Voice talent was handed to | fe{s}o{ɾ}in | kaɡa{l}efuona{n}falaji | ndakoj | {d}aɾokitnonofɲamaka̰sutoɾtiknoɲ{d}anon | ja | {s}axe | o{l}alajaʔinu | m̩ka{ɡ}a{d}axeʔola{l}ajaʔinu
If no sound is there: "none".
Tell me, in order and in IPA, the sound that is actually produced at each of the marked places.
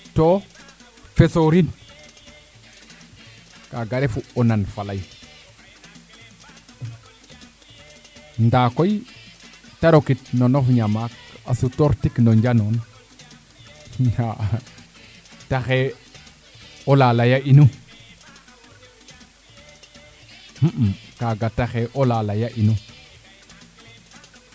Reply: s, ɾ, ɾ, n, t, d͡ʒ, t, l, ɡ, t, l

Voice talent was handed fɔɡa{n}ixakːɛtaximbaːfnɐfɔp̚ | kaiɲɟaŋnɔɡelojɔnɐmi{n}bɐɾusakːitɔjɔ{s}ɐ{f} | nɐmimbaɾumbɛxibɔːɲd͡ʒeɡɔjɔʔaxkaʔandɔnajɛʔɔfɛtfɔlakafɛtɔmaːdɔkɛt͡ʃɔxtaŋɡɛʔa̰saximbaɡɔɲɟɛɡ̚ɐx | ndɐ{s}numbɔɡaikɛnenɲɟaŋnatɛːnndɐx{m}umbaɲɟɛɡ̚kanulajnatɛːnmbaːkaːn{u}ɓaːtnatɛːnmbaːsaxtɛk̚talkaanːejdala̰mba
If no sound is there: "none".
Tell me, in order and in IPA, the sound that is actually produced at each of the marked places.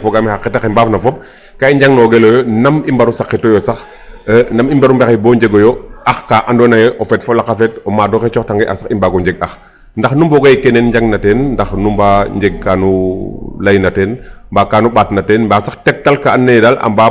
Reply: m, m, s, x, x, n, u

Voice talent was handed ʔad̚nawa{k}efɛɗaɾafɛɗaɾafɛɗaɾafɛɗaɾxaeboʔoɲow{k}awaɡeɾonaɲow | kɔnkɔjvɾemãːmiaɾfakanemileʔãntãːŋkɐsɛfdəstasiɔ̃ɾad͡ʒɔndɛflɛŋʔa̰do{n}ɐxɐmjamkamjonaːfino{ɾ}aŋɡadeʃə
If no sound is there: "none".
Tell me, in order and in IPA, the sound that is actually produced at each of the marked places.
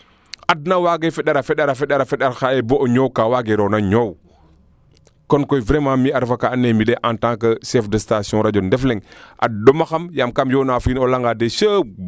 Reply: ɡ, k, m, l

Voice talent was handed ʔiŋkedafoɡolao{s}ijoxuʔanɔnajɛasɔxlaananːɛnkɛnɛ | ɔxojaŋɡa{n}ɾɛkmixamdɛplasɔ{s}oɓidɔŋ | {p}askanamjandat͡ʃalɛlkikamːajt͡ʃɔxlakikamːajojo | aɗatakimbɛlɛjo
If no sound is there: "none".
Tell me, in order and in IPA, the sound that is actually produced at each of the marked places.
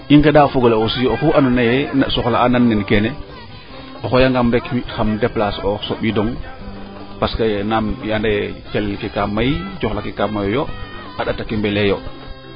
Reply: s, m, s, p

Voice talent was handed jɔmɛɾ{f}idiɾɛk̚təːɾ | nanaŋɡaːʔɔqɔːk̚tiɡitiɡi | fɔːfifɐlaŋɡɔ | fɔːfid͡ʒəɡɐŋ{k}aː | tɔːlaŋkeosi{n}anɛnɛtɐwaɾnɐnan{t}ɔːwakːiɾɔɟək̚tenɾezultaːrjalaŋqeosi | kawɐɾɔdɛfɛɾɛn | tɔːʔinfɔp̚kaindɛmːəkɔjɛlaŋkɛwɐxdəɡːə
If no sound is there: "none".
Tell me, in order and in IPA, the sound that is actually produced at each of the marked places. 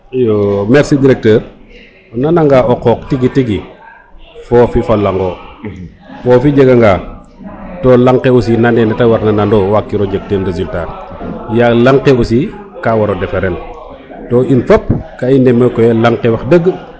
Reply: s, ɡ, n, d

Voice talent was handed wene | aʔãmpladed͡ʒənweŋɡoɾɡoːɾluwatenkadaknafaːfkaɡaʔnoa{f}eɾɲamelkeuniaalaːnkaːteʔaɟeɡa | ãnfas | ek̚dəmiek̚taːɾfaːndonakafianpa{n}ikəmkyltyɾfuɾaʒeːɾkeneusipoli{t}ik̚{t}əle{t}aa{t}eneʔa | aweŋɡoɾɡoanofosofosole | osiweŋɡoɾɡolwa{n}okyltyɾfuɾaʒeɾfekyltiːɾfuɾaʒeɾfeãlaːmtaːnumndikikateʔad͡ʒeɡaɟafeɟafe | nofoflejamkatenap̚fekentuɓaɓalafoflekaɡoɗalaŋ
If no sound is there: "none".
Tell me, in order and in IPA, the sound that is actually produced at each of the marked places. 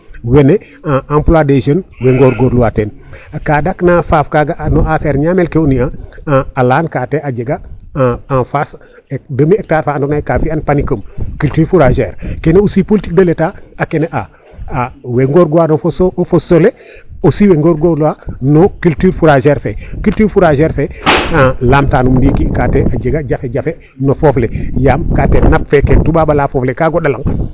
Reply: f, n, t, d, t, k, n

